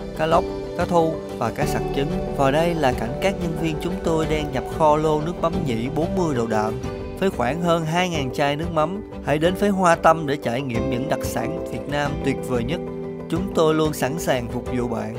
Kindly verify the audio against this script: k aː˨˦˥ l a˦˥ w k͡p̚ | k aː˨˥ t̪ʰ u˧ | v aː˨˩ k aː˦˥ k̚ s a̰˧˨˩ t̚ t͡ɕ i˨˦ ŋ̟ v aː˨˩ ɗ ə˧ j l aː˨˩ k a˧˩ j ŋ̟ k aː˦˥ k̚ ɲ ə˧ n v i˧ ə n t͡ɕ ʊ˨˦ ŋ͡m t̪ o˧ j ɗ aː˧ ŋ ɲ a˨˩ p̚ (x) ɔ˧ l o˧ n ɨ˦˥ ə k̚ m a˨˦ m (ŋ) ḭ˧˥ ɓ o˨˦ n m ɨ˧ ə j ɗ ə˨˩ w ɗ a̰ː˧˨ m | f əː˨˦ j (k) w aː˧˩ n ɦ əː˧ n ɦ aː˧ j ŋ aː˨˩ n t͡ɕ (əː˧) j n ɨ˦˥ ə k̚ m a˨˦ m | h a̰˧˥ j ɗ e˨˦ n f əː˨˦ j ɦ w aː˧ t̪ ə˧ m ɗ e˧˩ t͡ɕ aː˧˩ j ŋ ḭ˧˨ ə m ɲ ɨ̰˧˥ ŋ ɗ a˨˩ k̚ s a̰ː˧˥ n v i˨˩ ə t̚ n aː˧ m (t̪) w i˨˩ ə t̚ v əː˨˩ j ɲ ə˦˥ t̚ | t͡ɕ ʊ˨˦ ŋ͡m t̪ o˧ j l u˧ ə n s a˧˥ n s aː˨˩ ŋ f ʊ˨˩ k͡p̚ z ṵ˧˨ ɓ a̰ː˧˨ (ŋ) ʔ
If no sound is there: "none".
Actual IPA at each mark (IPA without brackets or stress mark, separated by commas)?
x, ɲ, x, aː˧, t̪, n